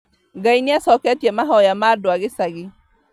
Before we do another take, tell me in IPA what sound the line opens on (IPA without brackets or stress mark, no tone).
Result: ɡ